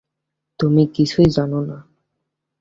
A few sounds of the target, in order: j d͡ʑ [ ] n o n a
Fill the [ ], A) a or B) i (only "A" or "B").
A